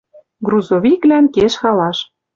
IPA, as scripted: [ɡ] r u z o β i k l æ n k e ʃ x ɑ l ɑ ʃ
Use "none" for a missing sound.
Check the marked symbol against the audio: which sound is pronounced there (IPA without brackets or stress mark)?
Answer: ɡ